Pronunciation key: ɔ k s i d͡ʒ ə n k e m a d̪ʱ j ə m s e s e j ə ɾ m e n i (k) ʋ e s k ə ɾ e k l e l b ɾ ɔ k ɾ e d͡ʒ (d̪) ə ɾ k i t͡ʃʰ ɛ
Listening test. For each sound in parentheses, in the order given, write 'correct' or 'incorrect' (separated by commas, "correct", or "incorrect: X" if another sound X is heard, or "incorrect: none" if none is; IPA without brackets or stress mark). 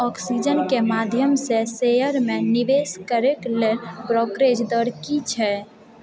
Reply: incorrect: none, correct